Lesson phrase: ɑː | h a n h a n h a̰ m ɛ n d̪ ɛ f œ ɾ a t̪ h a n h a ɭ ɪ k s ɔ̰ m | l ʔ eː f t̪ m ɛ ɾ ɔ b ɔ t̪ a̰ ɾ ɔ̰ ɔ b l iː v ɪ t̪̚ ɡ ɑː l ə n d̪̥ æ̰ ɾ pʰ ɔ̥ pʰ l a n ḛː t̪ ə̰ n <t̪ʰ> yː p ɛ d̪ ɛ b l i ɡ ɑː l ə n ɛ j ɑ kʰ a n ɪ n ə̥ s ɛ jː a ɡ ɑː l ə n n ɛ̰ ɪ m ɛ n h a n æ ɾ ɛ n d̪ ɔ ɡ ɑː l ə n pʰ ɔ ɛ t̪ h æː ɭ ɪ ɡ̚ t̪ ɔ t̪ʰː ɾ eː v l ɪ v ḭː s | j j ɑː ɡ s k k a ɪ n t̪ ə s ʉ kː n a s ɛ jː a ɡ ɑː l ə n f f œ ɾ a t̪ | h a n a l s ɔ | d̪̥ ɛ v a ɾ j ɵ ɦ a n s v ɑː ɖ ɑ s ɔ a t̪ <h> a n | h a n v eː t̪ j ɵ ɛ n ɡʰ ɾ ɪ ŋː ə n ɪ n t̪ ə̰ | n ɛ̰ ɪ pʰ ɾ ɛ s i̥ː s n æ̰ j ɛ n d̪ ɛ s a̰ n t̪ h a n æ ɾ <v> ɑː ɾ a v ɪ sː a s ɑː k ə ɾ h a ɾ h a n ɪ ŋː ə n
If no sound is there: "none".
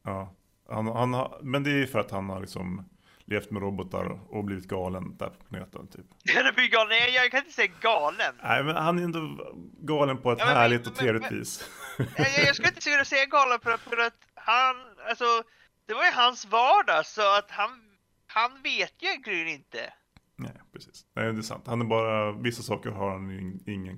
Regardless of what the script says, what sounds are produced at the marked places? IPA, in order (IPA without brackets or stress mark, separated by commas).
t̪ʰ, h, b